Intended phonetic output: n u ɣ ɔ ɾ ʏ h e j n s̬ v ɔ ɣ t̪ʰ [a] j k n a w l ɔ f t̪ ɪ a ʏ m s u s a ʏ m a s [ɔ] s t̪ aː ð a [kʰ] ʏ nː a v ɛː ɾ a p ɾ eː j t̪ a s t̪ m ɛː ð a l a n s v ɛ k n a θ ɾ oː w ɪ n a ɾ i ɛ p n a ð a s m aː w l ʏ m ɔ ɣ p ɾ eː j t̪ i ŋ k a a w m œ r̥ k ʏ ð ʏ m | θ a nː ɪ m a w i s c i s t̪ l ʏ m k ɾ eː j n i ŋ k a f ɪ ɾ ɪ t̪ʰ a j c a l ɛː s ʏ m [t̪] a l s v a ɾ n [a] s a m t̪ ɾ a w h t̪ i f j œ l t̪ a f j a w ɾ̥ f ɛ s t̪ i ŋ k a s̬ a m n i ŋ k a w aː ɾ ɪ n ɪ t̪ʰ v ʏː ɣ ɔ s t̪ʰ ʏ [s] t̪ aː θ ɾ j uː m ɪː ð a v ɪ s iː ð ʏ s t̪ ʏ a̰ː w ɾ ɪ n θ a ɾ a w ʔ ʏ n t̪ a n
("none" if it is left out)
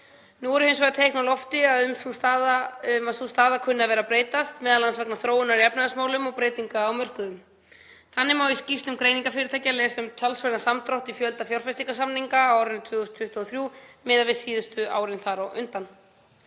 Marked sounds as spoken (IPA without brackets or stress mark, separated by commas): e, u, kʰ, t̪ʰ, a, h